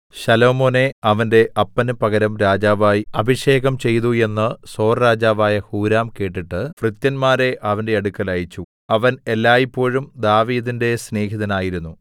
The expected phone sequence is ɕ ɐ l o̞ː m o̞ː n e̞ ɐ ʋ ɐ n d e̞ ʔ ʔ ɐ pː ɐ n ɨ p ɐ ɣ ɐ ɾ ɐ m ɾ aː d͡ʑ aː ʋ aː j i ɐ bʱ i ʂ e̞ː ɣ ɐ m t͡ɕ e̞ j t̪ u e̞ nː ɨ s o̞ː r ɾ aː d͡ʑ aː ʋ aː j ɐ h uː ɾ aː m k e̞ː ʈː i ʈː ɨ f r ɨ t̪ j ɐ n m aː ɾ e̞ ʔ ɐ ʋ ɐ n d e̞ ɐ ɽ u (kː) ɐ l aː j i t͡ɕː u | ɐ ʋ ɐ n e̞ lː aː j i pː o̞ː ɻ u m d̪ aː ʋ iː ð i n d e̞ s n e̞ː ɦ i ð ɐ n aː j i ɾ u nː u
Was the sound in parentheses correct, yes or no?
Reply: yes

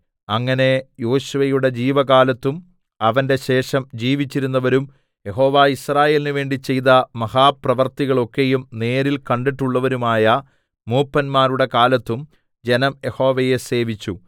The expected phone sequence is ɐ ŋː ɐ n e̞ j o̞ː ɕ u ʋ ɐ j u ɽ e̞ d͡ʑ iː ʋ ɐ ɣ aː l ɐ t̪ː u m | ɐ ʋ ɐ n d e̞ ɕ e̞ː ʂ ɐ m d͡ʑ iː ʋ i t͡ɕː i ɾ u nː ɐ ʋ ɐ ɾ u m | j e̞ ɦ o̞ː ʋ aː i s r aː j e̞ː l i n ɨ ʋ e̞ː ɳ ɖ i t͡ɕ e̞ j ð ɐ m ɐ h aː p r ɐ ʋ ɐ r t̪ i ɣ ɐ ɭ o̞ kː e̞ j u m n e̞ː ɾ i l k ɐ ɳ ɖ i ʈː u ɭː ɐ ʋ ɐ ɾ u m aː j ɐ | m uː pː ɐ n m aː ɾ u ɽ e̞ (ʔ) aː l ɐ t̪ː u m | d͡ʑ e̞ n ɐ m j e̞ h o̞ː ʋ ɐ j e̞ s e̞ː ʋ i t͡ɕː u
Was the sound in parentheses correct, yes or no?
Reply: no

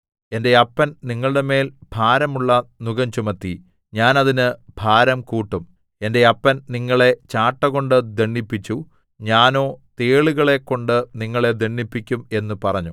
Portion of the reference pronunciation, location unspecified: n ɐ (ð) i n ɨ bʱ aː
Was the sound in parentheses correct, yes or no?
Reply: yes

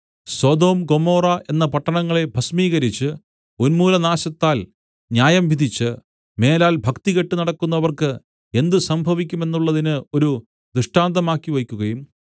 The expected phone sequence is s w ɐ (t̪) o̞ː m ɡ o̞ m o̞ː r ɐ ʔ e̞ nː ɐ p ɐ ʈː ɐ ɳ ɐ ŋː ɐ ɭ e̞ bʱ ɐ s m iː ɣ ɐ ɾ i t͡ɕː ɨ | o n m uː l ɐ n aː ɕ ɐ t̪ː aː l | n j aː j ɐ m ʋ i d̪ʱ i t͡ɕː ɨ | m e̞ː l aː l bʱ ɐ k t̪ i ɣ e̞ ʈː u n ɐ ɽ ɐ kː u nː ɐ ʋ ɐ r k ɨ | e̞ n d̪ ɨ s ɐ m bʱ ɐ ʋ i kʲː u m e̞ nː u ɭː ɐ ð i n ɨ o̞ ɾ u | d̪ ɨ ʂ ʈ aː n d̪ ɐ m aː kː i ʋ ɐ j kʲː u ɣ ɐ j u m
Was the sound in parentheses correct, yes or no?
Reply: no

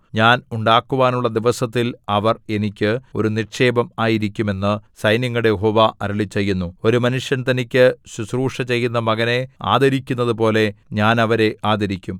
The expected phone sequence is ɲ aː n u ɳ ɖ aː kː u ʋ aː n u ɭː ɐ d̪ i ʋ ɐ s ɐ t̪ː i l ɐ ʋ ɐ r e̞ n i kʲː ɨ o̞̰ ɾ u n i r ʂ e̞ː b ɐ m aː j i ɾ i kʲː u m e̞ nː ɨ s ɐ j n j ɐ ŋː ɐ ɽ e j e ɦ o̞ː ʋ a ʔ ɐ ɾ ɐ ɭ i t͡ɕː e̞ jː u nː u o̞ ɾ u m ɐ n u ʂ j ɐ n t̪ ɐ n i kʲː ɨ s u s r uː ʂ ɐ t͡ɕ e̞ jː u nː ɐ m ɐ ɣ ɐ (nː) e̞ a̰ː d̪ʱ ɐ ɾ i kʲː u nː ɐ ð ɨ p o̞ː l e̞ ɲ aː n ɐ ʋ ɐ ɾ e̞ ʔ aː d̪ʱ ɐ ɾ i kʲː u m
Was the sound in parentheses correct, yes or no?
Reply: no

